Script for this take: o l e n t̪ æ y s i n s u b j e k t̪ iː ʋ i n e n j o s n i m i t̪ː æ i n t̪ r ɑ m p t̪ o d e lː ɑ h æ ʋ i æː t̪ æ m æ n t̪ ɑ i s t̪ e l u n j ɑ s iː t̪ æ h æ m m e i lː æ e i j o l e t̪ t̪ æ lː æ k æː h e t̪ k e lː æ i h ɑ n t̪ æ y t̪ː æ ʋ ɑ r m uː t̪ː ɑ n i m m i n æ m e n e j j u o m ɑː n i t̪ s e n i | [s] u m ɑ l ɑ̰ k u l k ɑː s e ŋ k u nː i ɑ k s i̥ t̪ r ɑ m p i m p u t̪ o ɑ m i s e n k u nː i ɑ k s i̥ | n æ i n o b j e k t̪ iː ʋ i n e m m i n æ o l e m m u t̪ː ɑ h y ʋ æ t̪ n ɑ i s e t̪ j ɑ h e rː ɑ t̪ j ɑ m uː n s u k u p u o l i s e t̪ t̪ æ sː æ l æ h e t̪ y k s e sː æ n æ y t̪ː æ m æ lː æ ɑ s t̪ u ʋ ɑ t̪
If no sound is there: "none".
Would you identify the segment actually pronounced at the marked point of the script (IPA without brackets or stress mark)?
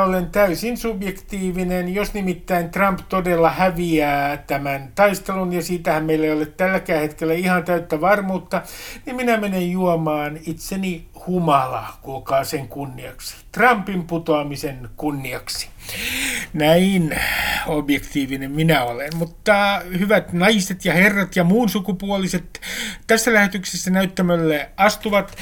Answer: h